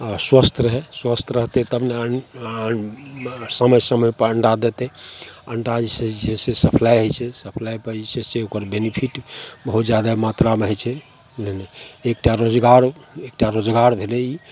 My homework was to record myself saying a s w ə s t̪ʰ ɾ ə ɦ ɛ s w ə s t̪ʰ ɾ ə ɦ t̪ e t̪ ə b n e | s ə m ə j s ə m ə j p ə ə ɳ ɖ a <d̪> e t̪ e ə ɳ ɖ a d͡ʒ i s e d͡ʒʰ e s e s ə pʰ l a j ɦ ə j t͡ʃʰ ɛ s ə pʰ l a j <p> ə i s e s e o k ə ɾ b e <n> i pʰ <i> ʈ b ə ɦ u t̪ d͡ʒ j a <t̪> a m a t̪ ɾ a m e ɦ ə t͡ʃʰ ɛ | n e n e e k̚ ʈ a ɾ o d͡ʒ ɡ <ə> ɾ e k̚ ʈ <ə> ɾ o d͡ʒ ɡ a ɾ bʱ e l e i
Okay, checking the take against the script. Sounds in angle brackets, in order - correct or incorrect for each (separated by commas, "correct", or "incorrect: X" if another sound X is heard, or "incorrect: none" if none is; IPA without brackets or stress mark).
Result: correct, correct, correct, correct, incorrect: d̪, incorrect: a, incorrect: a